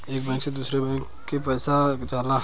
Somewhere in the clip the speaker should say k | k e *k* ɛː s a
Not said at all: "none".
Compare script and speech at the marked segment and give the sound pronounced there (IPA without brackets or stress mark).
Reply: p